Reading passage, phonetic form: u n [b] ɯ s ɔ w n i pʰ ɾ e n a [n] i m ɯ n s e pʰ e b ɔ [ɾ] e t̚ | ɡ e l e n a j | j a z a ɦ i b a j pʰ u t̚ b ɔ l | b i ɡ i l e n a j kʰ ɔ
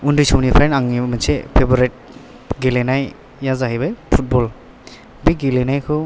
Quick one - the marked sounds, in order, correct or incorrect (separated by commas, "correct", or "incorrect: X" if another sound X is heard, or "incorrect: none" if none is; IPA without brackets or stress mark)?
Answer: incorrect: d, incorrect: ŋ, correct